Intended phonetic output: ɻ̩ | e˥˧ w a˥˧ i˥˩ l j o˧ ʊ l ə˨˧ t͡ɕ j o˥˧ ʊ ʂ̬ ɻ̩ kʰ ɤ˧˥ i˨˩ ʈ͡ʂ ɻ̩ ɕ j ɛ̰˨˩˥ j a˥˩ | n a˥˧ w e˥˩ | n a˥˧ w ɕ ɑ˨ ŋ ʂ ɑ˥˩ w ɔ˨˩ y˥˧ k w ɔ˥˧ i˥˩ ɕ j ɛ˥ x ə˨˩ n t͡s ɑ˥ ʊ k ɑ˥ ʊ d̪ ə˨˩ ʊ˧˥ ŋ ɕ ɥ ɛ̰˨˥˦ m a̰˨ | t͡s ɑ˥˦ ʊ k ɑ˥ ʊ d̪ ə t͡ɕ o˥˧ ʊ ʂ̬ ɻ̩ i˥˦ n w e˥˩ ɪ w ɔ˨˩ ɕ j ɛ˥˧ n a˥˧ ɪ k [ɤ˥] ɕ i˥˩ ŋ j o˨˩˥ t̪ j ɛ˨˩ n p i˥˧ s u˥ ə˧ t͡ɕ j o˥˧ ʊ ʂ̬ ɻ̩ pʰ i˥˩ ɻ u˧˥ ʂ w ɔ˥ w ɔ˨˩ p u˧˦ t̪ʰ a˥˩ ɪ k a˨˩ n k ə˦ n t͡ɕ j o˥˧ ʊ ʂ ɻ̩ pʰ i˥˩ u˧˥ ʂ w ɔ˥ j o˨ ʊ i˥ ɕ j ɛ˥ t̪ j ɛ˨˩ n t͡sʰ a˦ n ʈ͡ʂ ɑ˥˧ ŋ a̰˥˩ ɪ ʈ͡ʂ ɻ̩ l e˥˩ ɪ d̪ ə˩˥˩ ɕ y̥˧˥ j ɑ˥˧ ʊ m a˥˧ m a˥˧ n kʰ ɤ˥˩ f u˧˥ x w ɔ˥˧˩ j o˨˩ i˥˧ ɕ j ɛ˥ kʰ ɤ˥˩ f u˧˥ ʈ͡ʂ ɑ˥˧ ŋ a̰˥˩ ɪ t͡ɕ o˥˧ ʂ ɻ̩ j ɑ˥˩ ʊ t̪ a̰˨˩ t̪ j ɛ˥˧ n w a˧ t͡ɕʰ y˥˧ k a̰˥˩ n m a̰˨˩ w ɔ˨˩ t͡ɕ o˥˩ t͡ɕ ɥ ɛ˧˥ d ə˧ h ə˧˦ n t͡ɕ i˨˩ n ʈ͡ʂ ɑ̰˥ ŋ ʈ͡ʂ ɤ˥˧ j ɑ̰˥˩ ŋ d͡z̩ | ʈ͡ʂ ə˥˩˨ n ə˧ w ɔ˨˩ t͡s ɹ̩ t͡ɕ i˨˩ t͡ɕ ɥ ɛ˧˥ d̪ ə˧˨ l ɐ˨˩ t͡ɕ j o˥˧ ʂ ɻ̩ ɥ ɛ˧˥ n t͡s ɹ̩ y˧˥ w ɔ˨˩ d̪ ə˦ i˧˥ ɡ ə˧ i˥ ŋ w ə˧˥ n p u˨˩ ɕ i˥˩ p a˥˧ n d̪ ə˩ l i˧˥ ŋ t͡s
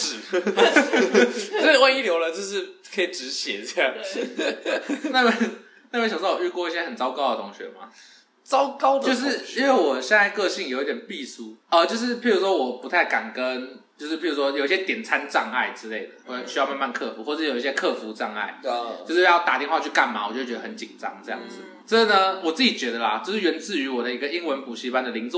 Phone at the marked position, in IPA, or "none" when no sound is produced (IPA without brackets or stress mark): ɤ˥˧